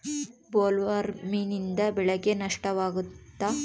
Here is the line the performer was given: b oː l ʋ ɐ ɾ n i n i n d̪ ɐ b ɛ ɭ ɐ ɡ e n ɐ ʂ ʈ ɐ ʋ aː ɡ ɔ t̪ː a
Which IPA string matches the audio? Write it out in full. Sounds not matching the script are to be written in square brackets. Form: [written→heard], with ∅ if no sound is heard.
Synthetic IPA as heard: b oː l ʋ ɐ ɾ [n→m] i n i n d̪ ɐ b ɛ ɭ ɐ ɡ e n ɐ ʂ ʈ ɐ ʋ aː ɡ [ɔ→u] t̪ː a